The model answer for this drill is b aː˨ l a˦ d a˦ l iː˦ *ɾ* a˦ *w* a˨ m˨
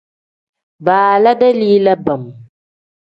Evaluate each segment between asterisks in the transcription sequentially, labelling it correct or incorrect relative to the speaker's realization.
incorrect: l, incorrect: b

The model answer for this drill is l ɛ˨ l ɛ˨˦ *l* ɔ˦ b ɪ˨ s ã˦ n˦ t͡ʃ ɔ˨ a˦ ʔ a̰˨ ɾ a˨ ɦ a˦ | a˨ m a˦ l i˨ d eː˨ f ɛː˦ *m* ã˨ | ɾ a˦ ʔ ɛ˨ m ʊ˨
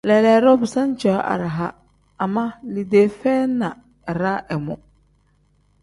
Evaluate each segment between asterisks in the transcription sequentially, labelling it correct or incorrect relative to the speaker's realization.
incorrect: ɾ, incorrect: n

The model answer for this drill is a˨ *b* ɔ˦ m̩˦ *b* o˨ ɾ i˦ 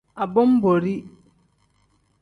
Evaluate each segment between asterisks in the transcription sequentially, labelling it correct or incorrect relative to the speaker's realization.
correct, correct

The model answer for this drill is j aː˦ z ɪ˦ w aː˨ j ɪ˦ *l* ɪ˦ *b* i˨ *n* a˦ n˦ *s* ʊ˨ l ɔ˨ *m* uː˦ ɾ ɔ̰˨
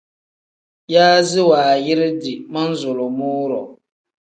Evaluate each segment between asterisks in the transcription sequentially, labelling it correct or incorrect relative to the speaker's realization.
incorrect: ɾ, incorrect: d, incorrect: m, incorrect: z, correct

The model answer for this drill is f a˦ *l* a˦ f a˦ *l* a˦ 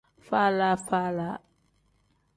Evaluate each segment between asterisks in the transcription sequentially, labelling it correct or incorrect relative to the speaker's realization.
correct, correct

